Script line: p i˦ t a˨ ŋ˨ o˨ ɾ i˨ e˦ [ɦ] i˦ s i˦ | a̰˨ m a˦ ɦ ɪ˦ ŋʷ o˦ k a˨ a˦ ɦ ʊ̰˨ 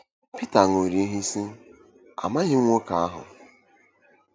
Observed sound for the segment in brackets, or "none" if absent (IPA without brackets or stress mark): ɦ